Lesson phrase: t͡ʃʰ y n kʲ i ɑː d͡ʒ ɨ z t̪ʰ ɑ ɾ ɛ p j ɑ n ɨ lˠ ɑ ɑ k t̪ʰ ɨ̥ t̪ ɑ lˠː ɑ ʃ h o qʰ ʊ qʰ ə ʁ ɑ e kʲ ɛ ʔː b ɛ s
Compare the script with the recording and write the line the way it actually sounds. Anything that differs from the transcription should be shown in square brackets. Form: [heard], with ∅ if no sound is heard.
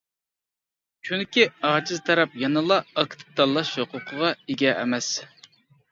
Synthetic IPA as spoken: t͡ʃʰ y n kʲ i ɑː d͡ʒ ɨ z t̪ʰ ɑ ɾ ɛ p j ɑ n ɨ lˠ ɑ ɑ k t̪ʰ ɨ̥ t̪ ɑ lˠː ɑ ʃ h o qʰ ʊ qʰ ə ʁ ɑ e [ɡʲ] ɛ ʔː [m] ɛ s